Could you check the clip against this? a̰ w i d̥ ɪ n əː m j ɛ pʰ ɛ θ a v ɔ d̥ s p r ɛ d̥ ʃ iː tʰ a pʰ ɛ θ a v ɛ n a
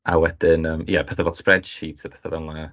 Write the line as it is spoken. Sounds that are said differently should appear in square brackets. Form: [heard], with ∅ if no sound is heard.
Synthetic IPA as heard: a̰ w [ɛ] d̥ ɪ n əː m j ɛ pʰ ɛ θ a v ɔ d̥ s p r ɛ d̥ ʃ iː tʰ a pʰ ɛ θ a v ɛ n a